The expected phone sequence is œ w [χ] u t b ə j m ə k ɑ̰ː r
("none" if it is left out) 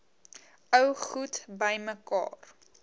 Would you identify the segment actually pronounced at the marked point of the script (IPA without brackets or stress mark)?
χ